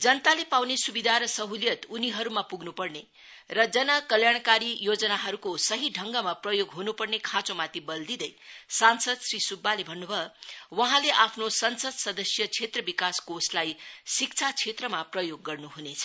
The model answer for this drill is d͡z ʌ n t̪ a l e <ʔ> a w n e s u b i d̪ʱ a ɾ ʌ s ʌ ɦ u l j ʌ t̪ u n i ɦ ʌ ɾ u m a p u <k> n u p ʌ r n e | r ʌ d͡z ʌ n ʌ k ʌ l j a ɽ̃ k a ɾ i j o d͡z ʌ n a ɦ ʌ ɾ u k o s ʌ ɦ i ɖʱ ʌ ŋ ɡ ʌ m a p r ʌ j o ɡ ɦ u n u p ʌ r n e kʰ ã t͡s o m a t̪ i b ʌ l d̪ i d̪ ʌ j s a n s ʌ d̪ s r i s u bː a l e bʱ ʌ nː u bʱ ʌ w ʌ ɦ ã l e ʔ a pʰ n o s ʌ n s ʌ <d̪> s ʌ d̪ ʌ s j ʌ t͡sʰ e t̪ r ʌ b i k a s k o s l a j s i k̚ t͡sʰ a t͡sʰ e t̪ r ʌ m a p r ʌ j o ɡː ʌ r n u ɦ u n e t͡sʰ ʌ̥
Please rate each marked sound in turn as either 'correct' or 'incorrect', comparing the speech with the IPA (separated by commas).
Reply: incorrect, incorrect, correct